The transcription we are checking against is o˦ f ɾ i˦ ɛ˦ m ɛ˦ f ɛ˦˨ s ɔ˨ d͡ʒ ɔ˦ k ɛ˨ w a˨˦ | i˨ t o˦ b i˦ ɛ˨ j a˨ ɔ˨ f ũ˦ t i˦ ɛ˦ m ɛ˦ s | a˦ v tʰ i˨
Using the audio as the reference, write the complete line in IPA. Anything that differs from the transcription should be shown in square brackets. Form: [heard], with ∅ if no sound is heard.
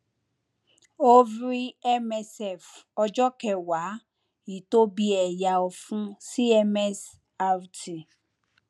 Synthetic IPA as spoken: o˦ [v] ɾ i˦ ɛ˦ m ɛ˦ [s] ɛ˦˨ [f] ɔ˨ d͡ʒ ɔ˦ k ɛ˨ w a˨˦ | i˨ t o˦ b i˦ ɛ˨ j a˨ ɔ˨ f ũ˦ [s] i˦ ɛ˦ m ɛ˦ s | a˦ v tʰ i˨

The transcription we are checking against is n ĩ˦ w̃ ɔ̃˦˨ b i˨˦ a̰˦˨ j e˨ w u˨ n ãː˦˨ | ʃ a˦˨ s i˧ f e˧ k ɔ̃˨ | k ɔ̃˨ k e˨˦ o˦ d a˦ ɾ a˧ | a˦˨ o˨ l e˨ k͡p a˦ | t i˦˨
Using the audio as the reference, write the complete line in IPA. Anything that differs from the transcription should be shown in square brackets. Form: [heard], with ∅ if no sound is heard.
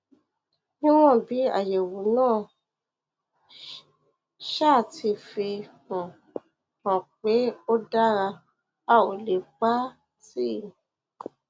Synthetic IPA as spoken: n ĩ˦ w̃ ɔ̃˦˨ b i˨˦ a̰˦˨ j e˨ w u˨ n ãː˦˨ | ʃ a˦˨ [t] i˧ f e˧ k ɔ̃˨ | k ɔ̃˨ [k͡p] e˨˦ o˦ d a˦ ɾ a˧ | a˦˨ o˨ l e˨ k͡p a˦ | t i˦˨

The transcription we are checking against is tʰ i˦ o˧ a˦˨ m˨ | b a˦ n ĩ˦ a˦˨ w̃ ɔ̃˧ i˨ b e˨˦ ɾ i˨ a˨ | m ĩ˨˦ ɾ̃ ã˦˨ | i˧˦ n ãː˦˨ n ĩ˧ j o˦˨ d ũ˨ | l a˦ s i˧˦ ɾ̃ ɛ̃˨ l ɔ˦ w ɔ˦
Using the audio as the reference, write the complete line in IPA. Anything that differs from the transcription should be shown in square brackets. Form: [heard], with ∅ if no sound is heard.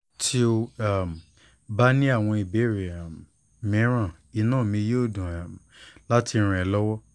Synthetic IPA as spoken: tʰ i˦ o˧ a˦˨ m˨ | b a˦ n ĩ˦ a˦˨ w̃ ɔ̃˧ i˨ b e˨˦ ɾ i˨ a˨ | m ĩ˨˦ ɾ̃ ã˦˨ | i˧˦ n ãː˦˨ [m] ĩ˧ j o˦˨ d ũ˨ | l a˦ [t] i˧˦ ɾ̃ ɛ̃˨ l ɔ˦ w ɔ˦

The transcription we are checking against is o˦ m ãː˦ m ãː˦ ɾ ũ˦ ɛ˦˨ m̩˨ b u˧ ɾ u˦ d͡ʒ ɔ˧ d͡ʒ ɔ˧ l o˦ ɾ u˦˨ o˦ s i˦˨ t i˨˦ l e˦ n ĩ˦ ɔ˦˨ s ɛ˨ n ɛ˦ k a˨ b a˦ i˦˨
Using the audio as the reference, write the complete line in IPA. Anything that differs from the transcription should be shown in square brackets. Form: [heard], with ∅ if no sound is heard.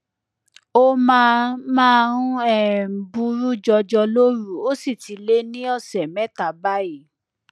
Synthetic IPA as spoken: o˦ m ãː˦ m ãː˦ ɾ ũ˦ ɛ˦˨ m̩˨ b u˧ ɾ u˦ d͡ʒ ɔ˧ d͡ʒ ɔ˧ l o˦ ɾ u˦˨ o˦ s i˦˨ t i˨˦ l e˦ n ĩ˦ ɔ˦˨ s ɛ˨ [m] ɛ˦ [t] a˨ b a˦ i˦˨

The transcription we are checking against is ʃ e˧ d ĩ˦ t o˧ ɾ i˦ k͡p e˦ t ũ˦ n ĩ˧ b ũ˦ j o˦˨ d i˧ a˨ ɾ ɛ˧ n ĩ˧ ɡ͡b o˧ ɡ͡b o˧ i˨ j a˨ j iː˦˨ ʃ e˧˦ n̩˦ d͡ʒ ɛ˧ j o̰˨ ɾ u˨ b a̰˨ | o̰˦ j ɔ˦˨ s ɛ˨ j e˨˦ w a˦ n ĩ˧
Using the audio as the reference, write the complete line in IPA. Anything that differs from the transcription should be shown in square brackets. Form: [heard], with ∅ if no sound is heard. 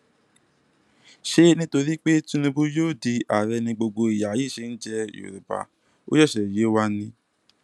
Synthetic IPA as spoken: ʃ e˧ [n] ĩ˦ t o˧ ɾ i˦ k͡p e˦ t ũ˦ n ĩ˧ b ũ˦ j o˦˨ d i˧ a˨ ɾ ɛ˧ n ĩ˧ ɡ͡b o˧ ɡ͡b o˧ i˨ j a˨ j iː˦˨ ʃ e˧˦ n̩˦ d͡ʒ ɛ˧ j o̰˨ ɾ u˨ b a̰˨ | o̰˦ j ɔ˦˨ [ʃ] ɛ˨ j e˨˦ w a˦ n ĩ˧

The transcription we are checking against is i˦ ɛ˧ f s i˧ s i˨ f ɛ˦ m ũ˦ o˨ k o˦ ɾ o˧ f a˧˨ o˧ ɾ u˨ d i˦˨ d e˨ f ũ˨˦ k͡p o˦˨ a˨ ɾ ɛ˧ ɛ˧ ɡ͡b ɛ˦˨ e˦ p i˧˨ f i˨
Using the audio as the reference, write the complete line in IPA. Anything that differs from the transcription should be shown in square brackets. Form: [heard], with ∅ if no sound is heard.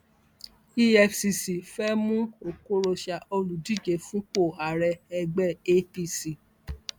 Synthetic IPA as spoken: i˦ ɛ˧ f s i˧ s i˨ f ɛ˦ m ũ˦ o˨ k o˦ ɾ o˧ [ʃ] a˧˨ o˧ [l] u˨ d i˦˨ [d͡ʒ] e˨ f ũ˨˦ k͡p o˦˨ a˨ ɾ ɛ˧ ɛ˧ ɡ͡b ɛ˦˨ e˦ p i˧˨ [s] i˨

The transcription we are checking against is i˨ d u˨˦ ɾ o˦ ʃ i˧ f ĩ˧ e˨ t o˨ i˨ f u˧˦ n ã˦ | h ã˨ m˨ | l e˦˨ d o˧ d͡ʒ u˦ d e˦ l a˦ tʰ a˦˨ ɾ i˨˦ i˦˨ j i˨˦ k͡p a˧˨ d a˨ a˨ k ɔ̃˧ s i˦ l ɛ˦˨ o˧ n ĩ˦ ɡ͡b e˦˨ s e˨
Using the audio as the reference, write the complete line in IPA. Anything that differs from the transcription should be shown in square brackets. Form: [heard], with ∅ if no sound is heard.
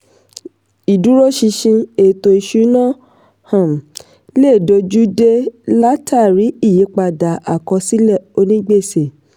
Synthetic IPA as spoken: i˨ d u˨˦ ɾ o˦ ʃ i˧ [ʃ] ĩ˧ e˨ t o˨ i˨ [ʃ] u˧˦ n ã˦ | h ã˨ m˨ | l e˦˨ d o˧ d͡ʒ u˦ d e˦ l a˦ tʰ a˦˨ ɾ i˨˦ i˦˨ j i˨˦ k͡p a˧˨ d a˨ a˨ k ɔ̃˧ s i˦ l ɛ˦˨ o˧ n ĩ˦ ɡ͡b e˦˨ s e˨

